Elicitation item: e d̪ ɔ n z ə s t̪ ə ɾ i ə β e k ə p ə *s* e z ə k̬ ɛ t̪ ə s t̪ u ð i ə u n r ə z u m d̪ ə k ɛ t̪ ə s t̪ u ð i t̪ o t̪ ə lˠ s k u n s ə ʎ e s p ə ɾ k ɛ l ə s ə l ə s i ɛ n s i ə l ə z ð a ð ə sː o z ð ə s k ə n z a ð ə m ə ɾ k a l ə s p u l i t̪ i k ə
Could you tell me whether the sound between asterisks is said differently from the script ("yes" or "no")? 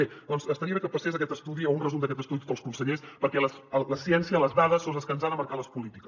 no